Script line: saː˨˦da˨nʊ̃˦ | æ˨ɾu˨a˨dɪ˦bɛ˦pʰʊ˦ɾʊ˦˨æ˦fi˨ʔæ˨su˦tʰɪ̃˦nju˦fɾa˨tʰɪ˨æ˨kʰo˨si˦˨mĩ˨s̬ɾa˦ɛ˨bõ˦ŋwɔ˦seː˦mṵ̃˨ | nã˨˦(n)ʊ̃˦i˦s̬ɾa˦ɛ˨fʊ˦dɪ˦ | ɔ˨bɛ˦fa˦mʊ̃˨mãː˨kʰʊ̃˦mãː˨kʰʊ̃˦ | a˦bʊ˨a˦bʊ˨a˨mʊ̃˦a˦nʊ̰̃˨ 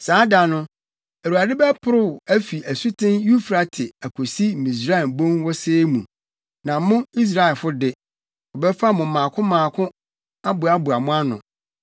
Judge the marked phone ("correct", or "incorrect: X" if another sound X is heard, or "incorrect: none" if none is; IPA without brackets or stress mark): incorrect: m